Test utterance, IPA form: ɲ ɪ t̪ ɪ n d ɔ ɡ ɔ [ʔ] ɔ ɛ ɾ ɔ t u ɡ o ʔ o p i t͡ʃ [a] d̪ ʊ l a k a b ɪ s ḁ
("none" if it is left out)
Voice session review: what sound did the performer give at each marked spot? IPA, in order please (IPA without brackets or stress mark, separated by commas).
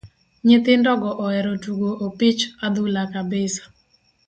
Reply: ʔ, a